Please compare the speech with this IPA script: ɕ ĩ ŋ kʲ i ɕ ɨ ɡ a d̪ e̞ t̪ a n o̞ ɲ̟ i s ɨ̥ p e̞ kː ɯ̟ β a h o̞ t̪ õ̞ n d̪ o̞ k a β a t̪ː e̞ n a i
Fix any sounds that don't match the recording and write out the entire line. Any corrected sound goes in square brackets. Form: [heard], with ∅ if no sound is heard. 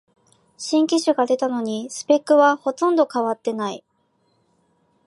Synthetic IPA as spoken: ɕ ĩ ŋ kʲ i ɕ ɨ ɡ a d̪ e̞ t̪ a n o̞ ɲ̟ i s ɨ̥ p e̞ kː ɯ̟ β a h o̞ t̪ õ̞ n d̪ o̞ k a β a t̪ː e̞ n a i